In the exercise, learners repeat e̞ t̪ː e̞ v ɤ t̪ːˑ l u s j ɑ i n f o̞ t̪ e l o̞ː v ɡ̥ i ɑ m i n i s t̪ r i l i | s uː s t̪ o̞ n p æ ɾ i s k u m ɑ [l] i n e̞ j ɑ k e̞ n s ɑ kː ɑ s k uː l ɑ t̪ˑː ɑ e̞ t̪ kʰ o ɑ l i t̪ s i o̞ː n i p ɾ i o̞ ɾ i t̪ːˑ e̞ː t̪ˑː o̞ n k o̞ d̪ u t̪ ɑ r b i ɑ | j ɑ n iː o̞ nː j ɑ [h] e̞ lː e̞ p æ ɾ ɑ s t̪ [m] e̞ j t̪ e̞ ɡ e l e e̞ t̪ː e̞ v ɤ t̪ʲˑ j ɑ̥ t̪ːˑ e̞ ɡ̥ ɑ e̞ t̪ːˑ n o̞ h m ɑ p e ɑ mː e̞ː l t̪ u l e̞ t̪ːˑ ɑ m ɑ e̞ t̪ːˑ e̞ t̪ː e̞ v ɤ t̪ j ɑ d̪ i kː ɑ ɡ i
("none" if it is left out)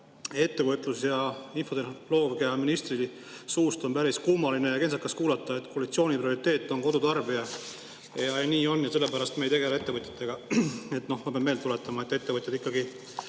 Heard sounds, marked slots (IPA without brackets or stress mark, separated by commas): l, s, m